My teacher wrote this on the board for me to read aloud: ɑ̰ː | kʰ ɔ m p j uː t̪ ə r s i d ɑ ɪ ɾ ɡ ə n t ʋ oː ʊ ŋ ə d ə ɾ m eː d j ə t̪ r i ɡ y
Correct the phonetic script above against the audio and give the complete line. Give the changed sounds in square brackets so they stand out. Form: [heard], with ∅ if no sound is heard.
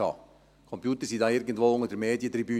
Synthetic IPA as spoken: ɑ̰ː | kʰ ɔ m p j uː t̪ ə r s i d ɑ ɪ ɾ ɡ ə n t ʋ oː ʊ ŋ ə d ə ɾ m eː d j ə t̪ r i [b] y